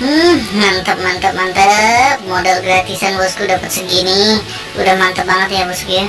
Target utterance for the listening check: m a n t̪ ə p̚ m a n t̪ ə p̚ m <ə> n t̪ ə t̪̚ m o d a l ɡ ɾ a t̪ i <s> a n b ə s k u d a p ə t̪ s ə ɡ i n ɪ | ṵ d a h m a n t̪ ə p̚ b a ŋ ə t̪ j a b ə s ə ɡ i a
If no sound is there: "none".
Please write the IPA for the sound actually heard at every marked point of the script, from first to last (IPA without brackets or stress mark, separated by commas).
a, s